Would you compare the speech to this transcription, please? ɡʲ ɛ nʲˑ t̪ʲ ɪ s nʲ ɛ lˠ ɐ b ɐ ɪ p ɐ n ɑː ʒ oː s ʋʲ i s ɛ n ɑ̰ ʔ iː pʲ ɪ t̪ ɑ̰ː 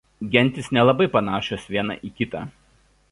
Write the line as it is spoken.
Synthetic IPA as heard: ɡʲ ɛ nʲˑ t̪ʲ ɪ s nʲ ɛ lˠ ɐ b ɐ ɪ p ɐ n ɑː ʃ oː s ʋʲ i ɛ n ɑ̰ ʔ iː kʲ ɪ t̪ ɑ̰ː